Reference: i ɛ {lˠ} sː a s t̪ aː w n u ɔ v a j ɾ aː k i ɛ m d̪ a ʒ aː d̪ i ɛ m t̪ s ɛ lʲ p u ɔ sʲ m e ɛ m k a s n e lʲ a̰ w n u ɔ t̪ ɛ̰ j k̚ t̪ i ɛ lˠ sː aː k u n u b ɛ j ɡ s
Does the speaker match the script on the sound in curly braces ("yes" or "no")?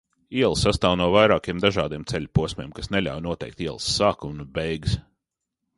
yes